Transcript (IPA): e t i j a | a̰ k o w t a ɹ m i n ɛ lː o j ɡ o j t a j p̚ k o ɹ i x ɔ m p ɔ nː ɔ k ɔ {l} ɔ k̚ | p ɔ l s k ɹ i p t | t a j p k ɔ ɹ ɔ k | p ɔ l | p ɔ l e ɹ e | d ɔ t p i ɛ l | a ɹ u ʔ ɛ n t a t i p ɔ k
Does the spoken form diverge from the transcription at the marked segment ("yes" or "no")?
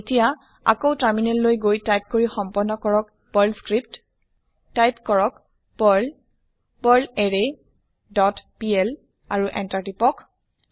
yes